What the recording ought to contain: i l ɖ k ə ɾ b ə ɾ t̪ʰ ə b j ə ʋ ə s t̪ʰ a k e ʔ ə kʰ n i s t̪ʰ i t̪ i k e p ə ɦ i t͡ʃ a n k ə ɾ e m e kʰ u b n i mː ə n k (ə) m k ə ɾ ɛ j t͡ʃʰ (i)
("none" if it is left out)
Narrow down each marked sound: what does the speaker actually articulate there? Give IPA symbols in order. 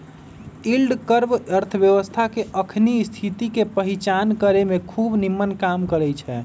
a, ɛ

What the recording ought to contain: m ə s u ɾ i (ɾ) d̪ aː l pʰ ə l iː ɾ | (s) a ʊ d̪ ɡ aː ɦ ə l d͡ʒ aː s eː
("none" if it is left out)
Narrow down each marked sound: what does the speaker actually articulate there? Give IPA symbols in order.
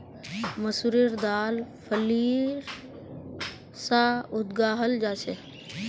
ɾ, s

